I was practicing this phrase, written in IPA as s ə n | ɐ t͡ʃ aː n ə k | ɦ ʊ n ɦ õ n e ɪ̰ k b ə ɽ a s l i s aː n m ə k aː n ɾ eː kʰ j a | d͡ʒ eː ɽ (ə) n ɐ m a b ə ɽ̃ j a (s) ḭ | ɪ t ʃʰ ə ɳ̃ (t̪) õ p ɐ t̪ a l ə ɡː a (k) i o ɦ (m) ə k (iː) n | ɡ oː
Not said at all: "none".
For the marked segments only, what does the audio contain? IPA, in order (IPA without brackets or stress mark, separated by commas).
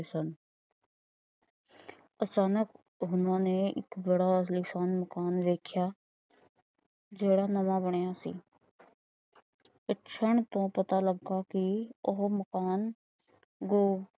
a, s, t̪, k, m, aː